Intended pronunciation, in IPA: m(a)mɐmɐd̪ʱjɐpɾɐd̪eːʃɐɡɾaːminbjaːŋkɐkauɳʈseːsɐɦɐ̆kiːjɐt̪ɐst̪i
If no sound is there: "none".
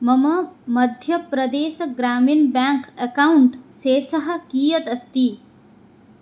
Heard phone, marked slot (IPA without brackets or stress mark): ɐ